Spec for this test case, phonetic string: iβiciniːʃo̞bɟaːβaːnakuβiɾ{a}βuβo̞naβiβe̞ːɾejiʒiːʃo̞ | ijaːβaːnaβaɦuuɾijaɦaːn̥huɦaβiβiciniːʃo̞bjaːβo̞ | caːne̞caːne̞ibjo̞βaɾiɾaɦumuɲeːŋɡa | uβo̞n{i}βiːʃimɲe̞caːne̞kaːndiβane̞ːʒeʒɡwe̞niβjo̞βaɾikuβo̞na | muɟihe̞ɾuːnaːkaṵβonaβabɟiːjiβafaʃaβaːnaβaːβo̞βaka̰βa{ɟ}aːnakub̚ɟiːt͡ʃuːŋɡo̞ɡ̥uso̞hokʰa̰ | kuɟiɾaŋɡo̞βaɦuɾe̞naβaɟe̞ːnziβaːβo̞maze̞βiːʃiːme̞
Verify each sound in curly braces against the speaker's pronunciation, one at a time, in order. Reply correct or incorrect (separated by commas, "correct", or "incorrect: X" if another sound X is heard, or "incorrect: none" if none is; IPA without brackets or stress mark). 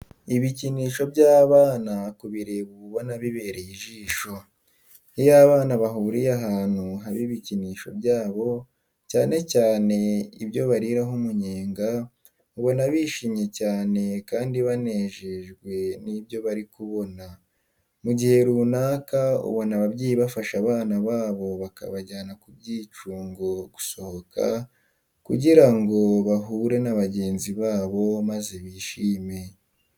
incorrect: e, incorrect: a, correct